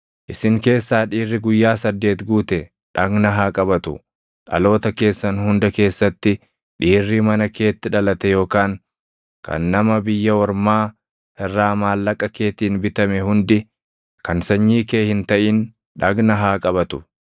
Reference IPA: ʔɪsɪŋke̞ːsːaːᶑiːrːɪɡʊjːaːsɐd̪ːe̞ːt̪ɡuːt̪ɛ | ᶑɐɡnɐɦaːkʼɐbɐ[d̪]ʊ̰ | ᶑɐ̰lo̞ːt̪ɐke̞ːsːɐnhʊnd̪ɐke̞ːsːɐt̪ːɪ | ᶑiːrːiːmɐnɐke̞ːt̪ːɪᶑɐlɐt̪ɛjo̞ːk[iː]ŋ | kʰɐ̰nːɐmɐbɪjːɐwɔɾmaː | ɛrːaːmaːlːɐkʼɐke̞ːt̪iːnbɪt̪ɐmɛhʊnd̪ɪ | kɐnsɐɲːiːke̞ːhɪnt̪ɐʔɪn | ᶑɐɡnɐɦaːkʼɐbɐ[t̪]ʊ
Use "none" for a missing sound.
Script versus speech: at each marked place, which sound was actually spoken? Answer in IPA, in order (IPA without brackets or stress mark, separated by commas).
t̪, aː, t̪